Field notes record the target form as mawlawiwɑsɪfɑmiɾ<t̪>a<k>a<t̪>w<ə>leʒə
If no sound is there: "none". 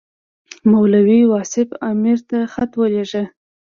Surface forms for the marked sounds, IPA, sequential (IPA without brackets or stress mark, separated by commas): t̪, x, t̪, ə